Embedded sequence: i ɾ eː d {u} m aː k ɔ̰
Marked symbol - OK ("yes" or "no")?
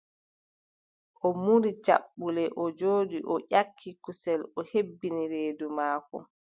yes